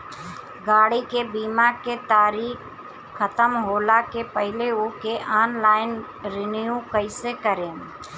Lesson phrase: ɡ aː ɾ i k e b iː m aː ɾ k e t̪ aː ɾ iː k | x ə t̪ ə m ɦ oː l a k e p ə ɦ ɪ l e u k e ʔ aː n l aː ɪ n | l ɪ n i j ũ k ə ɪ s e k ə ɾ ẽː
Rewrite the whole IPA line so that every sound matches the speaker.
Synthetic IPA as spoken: ɡ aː ɽ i k e b iː m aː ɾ k e t̪ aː ɾ iː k | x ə t̪ ə m ɦ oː l a k e p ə ɦ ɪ l e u k e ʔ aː n l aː ɪ n | ɾ ɪ n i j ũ k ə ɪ s e k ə ɾ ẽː